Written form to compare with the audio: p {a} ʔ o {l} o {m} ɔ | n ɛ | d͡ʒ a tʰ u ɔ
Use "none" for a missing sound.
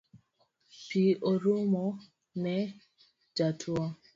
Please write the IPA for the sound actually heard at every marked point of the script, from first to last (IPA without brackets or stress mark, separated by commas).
i, ɾ, m